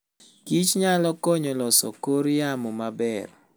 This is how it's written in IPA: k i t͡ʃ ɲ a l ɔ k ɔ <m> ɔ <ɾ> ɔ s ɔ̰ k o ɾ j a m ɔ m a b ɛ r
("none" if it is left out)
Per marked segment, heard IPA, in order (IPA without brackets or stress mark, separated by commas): ɲ, l